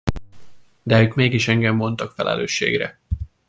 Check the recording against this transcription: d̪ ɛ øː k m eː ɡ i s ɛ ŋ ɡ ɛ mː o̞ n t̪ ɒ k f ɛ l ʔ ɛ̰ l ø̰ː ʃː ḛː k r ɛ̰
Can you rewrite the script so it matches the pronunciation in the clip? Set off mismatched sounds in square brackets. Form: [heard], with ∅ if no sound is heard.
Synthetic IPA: d̪ ɛ øː k m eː ɡ i [ʃ] ɛ ŋ ɡ ɛ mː o̞ n t̪ ɒ k f ɛ l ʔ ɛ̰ l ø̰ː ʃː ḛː [ɡ] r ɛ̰